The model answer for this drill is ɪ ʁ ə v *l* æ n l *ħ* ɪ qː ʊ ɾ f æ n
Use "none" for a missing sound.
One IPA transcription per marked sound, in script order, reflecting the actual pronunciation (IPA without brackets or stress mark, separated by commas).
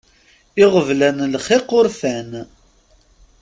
l, χ